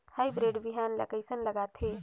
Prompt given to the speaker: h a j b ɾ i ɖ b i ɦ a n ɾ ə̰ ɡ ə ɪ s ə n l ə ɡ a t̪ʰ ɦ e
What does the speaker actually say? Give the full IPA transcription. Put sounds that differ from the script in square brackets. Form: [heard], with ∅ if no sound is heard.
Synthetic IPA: h a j b ɾ [e] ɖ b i ɦ a n [l] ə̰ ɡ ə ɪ s ə n l ə ɡ a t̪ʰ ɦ e